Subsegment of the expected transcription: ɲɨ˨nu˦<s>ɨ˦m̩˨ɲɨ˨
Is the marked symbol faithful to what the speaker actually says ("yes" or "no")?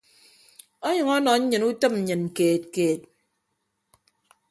no